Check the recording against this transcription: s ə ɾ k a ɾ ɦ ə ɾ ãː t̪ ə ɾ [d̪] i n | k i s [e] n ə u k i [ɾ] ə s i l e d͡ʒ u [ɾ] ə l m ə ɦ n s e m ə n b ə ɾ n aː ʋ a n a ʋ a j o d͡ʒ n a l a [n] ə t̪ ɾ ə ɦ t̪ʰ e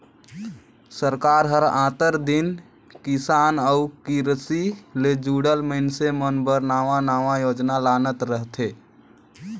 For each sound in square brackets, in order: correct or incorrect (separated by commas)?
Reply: correct, incorrect, correct, incorrect, correct